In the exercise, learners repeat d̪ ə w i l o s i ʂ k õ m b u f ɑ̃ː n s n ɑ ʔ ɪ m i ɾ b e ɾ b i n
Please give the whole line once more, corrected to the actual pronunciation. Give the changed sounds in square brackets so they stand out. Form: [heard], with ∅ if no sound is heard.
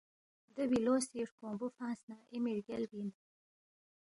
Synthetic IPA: d̪ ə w i l o s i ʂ k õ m b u f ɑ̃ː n s n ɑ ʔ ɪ m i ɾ [ɡ] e [l] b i n